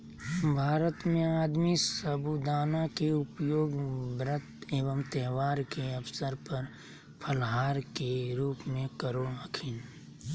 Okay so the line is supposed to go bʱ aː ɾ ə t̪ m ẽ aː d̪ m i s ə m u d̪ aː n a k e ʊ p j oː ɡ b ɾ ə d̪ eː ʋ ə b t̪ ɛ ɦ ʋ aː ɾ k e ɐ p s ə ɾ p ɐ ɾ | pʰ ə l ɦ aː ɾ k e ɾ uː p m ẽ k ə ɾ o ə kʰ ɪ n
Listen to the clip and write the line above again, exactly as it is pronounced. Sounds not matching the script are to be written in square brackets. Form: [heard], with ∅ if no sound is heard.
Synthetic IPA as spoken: bʱ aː ɾ ə t̪ m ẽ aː d̪ m i s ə [b] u d̪ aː n a k e ʊ p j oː ɡ b ɾ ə [t̪] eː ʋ ə [m] t̪ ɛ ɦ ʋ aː ɾ k e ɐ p s ə ɾ p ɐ ɾ | pʰ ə l ɦ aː ɾ k e ɾ uː p m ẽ k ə ɾ o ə kʰ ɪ n